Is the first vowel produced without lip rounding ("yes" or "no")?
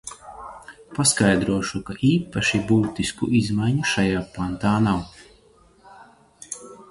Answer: yes